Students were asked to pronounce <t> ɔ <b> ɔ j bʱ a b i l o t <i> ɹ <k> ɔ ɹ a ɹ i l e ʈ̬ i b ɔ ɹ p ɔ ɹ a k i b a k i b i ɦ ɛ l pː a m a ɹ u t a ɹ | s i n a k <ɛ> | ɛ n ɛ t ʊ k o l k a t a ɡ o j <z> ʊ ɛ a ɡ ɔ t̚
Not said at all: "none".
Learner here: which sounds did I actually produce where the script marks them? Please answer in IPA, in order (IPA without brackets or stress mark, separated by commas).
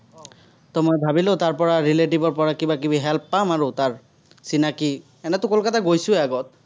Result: t, m, a, p, i, s